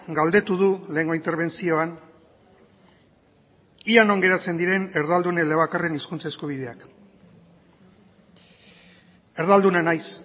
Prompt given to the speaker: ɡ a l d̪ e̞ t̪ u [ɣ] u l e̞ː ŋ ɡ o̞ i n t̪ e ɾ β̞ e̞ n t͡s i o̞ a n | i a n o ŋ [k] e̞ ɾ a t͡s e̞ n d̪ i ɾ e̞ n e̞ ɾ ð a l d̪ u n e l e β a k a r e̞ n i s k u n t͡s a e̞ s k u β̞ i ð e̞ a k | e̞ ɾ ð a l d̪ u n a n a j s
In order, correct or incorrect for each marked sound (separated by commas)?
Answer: incorrect, incorrect